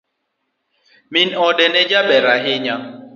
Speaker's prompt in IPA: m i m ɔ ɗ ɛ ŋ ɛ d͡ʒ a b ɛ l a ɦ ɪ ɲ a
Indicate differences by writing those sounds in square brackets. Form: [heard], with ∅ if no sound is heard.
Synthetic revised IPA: m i [n] ɔ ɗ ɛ [n] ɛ d͡ʒ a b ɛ [ɾ] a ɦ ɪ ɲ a